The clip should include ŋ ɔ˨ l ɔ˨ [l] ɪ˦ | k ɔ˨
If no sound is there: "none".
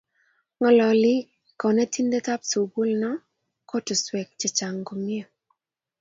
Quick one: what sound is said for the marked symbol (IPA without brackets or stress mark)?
l